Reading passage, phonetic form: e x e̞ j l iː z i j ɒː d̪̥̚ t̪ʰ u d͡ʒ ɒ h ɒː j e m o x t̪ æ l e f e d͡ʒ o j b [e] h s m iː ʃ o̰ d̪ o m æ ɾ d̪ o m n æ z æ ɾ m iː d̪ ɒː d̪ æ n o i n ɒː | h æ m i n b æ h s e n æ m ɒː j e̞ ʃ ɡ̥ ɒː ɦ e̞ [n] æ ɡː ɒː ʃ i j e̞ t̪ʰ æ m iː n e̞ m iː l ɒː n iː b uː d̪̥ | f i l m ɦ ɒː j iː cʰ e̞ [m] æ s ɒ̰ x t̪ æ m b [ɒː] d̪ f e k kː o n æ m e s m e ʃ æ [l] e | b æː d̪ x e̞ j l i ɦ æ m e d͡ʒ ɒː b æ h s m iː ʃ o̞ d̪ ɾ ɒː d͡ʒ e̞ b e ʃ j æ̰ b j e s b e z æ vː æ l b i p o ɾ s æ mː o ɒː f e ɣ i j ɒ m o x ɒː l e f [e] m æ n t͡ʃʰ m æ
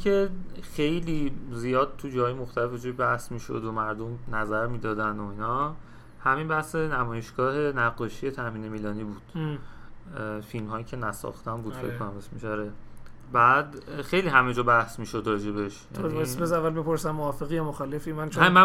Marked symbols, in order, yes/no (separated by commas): no, yes, no, no, no, no